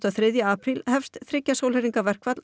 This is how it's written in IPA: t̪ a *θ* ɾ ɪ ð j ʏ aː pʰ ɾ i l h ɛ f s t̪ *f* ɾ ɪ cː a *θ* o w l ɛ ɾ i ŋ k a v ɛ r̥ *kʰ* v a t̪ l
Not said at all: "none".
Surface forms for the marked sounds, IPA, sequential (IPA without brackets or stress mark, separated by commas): θ, θ, s, k